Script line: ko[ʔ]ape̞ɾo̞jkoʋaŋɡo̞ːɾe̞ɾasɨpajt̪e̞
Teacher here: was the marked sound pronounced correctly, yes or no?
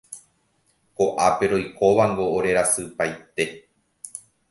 yes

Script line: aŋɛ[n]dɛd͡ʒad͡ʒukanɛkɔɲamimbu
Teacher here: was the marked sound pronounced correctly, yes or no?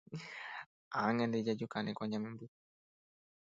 yes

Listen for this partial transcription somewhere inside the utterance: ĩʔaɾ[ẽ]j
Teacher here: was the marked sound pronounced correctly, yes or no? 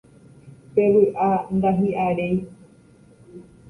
no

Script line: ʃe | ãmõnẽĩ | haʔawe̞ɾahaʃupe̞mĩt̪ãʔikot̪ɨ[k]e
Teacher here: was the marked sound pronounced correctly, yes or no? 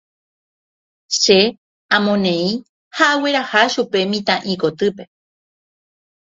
no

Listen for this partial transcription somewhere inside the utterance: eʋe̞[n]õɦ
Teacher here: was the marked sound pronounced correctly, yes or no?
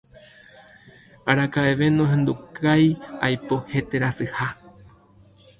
yes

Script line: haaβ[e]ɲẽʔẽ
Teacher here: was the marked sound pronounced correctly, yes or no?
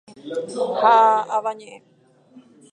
no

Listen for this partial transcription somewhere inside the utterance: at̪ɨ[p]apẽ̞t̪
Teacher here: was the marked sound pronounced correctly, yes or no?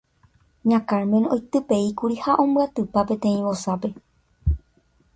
yes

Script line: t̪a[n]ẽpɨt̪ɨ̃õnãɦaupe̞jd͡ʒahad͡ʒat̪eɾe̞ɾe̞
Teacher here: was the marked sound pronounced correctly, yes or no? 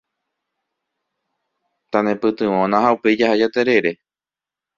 yes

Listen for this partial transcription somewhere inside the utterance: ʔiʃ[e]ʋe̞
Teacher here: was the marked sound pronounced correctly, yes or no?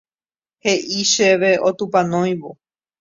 yes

